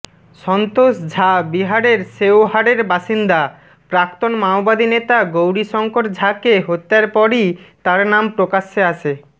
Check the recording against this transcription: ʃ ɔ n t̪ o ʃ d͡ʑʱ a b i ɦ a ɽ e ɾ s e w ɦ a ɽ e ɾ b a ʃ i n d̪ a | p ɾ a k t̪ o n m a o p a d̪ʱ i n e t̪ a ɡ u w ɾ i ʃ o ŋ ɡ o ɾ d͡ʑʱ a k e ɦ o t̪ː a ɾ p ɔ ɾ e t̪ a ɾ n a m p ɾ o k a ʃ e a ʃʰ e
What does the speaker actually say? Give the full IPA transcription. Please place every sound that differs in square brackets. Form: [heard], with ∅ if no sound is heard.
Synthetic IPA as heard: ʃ ɔ n t̪ o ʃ d͡ʑʱ a b i ɦ a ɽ e ɾ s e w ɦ a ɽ e ɾ b a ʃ i n d̪ a | p ɾ a k t̪ o n m a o [b] a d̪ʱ i n e t̪ a ɡ [o] w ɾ i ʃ [ɔ] ŋ [k] o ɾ d͡ʑʱ a k e ɦ o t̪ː a ɾ p ɔ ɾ [i] t̪ a ɾ n a m p ɾ o k a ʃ e a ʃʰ e